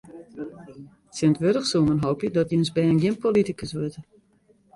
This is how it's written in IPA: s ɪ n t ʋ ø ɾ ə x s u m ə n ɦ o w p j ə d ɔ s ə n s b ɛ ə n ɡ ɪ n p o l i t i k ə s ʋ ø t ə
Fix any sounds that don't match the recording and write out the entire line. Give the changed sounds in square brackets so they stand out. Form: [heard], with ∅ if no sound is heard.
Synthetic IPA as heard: s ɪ n t ʋ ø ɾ ə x s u m ə n ɦ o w p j ə d ɔ [t] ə n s b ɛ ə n ɡ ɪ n p o l i t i k ə s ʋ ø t ə